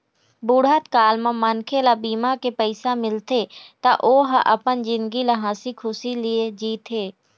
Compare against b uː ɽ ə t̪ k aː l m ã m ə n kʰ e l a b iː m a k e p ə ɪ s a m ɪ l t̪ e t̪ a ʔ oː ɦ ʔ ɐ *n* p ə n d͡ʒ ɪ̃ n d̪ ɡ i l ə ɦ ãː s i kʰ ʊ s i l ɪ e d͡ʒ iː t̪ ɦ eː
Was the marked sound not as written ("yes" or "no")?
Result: yes